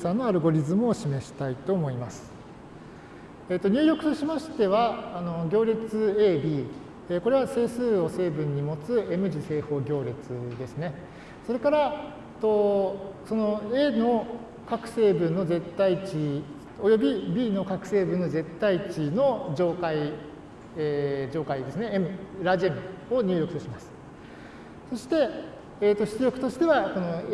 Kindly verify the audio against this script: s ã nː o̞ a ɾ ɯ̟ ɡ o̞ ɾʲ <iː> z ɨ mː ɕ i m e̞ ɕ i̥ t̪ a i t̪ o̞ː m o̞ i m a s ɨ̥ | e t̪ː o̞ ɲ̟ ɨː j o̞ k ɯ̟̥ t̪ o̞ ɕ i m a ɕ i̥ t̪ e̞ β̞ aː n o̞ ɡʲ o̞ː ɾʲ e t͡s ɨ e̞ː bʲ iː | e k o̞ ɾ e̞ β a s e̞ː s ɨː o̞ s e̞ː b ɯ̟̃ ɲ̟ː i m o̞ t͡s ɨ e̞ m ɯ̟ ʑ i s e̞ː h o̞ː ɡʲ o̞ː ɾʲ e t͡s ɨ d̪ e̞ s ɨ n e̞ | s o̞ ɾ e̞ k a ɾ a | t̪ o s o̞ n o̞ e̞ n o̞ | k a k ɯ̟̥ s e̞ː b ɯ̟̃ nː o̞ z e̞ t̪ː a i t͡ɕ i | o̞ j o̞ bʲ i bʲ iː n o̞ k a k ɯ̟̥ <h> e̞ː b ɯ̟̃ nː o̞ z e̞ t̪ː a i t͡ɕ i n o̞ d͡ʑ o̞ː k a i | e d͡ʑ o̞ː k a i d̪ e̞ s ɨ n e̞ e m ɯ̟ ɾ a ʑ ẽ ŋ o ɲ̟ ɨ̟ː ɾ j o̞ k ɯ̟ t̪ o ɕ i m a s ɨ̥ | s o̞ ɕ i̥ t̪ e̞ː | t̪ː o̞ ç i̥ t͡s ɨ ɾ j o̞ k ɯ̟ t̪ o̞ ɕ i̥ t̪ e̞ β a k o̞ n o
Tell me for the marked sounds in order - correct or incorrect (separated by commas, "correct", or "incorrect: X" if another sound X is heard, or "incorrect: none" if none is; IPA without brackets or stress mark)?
incorrect: i, incorrect: s